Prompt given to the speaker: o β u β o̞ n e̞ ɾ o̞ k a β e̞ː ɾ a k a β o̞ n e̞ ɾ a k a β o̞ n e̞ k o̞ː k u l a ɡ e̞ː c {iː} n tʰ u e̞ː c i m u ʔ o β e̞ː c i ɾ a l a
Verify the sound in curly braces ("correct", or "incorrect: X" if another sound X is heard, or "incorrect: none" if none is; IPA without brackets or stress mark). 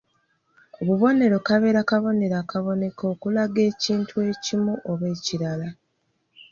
correct